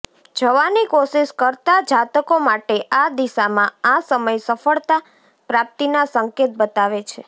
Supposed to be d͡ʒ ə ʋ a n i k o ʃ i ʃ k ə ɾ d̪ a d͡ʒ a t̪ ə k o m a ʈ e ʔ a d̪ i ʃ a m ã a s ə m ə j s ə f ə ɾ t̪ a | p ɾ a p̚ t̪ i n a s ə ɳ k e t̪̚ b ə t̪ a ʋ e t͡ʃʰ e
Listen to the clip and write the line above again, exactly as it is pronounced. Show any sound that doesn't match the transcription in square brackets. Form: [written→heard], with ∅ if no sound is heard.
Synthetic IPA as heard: d͡ʒ ə ʋ a n i k o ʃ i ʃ k ə ɾ [d̪→t̪] a d͡ʒ a t̪ ə k o m a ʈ e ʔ a d̪ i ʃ a m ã a s ə m ə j s ə f ə [ɾ→ɭ] t̪ a | p ɾ a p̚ t̪ i n a s ə [ɳ→ŋ] k e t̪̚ b ə t̪ a ʋ e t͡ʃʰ e